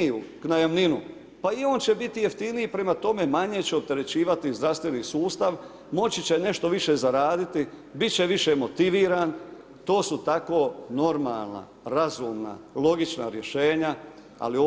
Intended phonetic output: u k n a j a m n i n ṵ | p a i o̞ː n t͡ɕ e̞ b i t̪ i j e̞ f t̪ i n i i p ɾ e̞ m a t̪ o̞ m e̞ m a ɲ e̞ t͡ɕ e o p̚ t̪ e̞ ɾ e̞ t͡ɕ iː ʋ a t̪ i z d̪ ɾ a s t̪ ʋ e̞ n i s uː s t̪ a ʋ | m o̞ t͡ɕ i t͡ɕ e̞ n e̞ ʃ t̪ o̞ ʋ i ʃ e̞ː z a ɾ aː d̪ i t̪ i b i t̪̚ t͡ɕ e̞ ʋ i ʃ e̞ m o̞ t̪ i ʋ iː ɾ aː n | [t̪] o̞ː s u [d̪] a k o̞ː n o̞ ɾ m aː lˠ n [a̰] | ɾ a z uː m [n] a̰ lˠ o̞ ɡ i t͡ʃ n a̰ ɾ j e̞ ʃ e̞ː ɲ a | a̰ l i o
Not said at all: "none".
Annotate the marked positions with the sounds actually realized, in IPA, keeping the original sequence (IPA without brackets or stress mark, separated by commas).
t̪, t̪, a̰, n